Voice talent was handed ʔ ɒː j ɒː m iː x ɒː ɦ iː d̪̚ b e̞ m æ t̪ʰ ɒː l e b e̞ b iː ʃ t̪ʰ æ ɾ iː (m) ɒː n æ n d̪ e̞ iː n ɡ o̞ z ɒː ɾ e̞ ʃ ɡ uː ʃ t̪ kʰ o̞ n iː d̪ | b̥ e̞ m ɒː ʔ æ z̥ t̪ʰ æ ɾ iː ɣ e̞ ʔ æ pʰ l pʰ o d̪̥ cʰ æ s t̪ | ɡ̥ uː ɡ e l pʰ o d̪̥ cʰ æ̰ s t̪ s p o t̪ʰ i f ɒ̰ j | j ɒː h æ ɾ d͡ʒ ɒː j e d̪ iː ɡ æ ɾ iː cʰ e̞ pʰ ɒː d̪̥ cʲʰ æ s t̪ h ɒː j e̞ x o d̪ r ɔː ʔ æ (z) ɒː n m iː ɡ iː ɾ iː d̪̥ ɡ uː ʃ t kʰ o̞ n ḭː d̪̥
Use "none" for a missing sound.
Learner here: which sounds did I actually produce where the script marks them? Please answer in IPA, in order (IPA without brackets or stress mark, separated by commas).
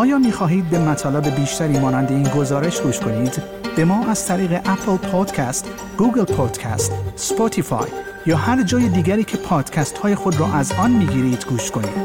m, z